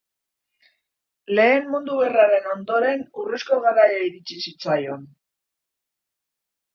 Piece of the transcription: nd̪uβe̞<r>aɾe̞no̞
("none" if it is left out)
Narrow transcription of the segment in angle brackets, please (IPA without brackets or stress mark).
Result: r